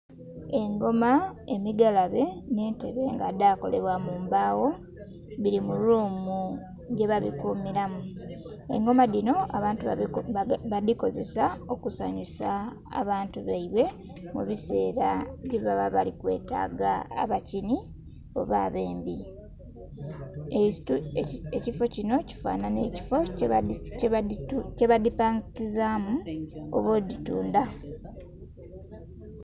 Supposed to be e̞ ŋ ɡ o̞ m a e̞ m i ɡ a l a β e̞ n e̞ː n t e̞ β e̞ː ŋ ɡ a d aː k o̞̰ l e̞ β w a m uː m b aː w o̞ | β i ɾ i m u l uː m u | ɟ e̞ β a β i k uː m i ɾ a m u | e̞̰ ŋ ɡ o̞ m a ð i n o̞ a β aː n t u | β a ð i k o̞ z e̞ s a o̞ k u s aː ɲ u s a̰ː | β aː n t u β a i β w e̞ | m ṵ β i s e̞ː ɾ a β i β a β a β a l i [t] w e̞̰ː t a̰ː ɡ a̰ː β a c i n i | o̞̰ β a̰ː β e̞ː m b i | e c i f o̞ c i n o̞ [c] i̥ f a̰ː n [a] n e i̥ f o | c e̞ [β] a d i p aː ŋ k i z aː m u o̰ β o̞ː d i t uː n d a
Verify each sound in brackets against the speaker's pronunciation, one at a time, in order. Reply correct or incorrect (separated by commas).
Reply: incorrect, correct, correct, correct